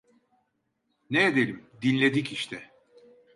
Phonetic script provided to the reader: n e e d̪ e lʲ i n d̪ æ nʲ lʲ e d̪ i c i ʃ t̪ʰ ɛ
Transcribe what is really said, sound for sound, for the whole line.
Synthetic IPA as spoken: n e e d̪ e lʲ i m d̪ i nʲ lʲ e d̪ i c i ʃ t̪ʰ ɛ